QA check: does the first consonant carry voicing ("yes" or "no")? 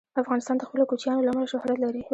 no